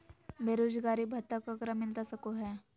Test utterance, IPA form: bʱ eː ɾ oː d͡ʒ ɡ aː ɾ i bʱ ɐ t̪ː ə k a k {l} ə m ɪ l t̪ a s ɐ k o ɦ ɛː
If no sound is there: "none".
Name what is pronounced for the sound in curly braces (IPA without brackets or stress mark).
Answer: ɾ